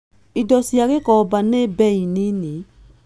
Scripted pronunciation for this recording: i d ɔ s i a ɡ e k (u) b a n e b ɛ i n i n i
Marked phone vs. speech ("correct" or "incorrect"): incorrect